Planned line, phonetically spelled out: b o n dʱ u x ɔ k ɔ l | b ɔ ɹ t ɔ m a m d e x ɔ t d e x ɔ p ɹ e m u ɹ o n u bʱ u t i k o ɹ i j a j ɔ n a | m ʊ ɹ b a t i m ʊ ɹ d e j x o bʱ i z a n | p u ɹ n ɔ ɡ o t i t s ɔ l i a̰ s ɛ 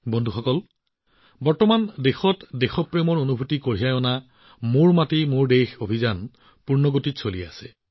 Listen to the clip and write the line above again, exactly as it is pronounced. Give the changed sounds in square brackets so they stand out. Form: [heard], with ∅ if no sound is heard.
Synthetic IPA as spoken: b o n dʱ u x ɔ k ɔ l | b ɔ ɹ t ɔ m a [n] d e x ɔ t d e x ɔ p ɹ e m [ɔ] ɹ o n u bʱ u t i k o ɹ i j a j ɔ n a | m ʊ ɹ [m] a t i m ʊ ɹ d e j x o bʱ i z a n | p u ɹ n ɔ ɡ o t i t s [o] l i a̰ s ɛ